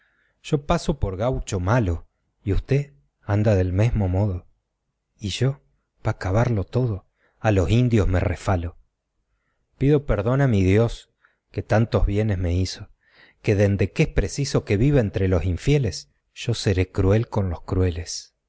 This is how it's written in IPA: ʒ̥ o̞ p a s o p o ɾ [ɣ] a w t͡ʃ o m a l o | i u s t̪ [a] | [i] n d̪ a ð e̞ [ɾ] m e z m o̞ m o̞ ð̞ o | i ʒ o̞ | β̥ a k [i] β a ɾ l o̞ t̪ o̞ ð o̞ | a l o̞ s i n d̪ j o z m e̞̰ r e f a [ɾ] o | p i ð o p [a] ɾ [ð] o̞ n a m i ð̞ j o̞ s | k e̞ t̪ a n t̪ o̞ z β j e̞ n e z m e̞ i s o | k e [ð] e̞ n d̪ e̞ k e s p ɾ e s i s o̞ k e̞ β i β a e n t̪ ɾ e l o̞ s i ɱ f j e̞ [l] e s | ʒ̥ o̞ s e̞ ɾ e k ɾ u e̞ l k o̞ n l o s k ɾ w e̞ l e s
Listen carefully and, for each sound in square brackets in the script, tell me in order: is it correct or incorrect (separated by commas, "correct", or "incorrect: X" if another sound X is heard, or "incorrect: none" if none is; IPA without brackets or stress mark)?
correct, incorrect: e, incorrect: a, incorrect: l, incorrect: a, incorrect: l, incorrect: e, correct, correct, correct